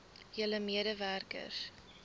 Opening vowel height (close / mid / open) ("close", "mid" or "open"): mid